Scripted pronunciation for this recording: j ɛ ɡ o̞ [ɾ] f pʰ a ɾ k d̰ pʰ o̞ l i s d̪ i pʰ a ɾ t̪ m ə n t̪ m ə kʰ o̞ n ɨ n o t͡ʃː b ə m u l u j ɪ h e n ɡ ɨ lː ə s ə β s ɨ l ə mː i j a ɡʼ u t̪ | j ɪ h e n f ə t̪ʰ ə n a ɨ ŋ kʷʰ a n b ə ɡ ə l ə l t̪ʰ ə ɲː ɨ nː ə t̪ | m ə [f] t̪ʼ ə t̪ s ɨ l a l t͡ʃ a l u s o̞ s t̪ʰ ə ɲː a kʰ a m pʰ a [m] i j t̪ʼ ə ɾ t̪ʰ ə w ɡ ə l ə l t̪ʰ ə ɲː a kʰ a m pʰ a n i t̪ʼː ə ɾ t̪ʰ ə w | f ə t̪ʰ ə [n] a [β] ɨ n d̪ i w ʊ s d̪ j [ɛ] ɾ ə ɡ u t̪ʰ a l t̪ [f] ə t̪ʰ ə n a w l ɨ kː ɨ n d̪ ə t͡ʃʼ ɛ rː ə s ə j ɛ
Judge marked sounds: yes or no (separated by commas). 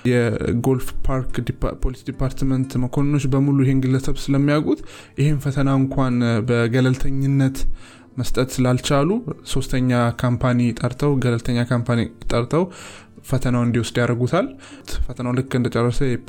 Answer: no, no, no, yes, no, no, yes